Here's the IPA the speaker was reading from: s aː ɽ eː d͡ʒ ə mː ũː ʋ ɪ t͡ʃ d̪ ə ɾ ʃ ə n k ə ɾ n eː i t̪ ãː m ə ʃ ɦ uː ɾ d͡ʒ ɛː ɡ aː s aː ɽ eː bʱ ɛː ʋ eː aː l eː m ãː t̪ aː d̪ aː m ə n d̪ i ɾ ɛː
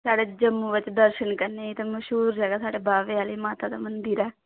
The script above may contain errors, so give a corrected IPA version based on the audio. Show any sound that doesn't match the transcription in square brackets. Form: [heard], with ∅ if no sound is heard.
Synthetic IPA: s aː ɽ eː d͡ʒ ə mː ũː ʋ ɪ t͡ʃ d̪ ə ɾ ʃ ə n k ə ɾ n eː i t̪ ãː m ə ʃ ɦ uː ɾ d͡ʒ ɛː ɡ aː s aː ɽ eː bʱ [aː] ʋ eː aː l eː m [aː] t̪ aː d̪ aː m ə n d̪ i ɾ ɛː

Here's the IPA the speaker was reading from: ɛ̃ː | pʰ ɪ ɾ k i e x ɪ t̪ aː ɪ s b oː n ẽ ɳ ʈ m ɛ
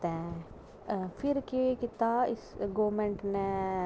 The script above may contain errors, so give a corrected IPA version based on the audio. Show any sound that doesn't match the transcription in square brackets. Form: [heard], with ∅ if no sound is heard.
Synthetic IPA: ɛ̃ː | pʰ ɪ ɾ k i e [k] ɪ t̪ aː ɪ s [ɡ] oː [m] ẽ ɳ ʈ [n] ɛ

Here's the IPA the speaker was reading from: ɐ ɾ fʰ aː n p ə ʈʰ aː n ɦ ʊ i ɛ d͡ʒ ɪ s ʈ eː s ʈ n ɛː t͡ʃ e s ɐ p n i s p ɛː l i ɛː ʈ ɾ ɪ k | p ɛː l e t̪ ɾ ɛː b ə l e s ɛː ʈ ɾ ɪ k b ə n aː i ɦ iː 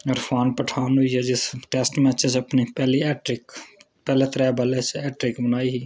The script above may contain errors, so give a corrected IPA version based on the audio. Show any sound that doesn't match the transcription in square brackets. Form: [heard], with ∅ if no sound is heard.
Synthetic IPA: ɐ ɾ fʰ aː n p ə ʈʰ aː n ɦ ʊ i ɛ d͡ʒ ɪ s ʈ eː s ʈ [m] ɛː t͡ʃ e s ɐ p n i [∅] p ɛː l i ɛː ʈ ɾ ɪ k | p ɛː l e t̪ ɾ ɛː b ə l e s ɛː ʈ ɾ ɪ k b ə n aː i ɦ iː

